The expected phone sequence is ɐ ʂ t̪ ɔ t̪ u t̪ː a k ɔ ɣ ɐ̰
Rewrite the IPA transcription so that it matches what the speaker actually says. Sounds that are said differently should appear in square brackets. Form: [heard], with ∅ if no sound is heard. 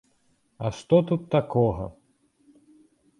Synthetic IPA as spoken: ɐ ʂ t̪ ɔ t̪ u t̪ː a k ɔ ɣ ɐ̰